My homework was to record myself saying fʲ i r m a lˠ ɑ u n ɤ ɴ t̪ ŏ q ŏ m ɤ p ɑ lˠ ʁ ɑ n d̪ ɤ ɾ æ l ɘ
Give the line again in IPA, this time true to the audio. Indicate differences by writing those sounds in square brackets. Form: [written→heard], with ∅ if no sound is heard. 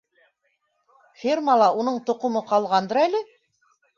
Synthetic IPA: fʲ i r m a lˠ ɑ u n ɤ ɴ t̪ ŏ q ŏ m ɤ [p→q] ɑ lˠ ʁ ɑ n d̪ ɤ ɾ æ l ɘ